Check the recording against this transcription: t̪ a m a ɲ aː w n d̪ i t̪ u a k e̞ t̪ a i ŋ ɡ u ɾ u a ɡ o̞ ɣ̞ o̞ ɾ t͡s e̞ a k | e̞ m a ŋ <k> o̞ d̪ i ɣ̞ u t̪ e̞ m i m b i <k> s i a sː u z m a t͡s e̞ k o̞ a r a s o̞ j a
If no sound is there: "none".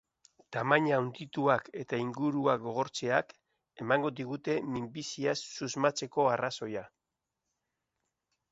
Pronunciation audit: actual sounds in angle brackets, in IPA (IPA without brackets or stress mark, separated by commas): ɡ, none